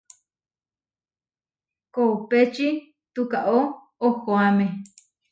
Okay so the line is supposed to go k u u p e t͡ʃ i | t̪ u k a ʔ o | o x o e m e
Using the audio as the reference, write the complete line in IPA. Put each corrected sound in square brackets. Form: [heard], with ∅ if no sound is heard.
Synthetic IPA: k [o] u p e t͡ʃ i | t̪ u k a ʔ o | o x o [a] m e